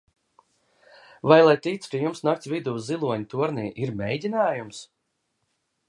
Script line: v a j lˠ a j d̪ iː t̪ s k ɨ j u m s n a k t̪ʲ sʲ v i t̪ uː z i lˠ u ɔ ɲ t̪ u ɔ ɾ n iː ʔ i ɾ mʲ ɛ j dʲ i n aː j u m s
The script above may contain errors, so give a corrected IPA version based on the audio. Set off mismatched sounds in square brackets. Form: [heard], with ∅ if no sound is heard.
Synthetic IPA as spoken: v a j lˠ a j [t̪] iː t̪ s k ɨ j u m s n a k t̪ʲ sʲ v i [d̪] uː z i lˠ u ɔ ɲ t̪ u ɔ ɾ n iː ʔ i ɾ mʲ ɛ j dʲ i n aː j u m s